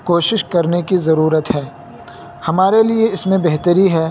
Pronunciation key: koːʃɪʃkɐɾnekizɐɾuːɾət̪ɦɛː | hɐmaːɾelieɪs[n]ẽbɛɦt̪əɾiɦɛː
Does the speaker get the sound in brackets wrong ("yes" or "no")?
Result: yes